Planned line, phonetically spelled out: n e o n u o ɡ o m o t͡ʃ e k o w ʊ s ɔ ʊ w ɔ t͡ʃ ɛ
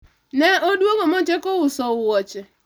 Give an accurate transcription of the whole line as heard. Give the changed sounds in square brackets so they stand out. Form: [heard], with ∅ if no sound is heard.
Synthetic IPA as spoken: n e o [d] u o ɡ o m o t͡ʃ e k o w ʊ s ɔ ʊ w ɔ t͡ʃ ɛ

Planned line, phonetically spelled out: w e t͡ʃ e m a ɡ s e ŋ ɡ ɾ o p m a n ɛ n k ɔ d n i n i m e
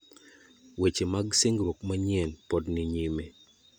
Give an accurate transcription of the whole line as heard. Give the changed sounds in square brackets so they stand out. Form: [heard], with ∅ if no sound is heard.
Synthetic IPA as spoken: w e t͡ʃ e m a ɡ s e ŋ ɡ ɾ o [k] m a [ɲ] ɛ n [p] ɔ d n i [ɲ] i m e

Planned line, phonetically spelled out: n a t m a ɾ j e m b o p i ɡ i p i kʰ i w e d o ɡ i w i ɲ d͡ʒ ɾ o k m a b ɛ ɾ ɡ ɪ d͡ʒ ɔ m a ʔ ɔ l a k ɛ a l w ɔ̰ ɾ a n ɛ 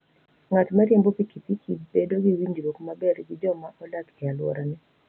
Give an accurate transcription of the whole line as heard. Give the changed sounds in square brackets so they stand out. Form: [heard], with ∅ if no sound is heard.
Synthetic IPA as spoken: [ŋ] a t m a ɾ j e m b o p i [k] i p i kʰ i [b] e d o ɡ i w i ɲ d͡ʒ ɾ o k m a b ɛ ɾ ɡ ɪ d͡ʒ ɔ m a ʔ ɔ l a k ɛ a l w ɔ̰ ɾ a n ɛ

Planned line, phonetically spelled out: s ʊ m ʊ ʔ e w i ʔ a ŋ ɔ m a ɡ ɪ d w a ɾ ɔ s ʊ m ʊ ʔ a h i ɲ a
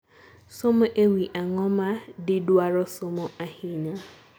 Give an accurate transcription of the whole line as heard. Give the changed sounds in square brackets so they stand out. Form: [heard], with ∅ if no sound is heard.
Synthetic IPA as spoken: s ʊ m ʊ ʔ e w i ʔ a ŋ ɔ m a [d] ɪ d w a ɾ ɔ s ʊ m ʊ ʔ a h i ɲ a

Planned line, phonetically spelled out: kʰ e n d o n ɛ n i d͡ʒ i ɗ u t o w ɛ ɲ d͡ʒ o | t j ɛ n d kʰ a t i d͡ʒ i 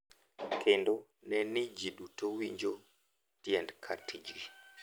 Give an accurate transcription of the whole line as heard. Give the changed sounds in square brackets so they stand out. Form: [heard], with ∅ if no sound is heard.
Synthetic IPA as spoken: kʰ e n d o n ɛ n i d͡ʒ i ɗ u t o w [i] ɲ d͡ʒ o | t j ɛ n d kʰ a t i d͡ʒ i

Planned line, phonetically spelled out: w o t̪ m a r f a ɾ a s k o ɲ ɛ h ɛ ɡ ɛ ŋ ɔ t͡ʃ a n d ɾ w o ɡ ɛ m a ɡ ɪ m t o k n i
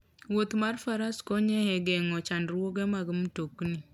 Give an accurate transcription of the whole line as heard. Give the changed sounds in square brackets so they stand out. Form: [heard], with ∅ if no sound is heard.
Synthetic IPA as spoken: w o t̪ m a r f a ɾ a s k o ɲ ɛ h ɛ ɡ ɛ ŋ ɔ t͡ʃ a n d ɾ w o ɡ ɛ m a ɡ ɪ m t o k n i

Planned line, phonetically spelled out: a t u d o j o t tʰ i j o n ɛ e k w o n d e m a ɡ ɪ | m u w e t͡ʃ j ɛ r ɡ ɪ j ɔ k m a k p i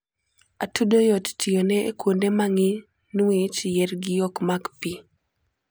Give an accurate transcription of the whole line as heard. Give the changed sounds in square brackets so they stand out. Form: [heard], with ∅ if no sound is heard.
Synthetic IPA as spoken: a t u d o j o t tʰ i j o n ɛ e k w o n d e m a [ŋ] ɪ | [n] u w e t͡ʃ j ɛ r ɡ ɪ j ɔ k m a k p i

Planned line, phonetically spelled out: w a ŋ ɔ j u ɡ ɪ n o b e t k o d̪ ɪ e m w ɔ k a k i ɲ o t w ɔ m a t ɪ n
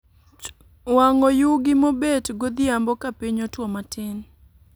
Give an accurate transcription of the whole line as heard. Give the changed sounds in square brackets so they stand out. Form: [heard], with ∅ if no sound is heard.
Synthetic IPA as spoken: w a ŋ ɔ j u ɡ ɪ [m] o b e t [ɡ] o d̪ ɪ [a] m [b] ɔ k a [p] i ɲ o t w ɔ m a t ɪ n

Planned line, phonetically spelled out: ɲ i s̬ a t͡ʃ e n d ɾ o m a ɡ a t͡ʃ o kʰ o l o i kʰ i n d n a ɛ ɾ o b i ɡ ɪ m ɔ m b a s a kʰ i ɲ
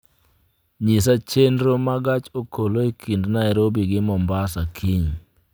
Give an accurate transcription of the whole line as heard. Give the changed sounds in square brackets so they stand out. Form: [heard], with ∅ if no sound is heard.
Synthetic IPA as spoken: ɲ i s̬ a t͡ʃ e n d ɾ o m a ɡ a t͡ʃ o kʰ o l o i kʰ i n d n a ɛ ɾ o b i ɡ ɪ m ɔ m b a s a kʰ i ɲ

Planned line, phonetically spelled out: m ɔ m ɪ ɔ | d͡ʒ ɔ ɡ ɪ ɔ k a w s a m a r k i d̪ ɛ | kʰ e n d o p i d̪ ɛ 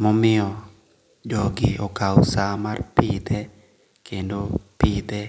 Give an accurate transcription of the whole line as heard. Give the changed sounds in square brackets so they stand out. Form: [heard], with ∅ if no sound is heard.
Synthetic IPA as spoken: m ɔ m ɪ ɔ | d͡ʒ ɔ ɡ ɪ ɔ k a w s a m a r [p] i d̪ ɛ | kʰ e n d o p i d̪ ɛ

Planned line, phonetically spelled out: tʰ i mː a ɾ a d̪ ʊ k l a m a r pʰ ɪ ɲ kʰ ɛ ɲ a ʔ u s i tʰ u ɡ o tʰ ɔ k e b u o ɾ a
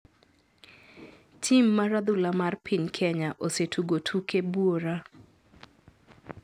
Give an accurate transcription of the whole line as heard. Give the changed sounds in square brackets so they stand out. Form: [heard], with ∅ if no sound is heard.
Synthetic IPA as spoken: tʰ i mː a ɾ a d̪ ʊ [∅] l a m a r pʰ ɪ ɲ kʰ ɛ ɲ a ʔ [o] s [e] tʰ u ɡ o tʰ [u] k e b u o ɾ a

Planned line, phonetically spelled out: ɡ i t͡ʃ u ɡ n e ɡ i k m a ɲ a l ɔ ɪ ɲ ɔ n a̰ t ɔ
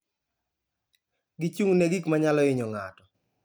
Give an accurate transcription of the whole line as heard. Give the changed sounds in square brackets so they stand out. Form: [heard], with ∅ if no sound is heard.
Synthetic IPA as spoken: ɡ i t͡ʃ u [ŋ] n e ɡ i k m a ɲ a l ɔ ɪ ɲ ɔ [ŋ] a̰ t ɔ

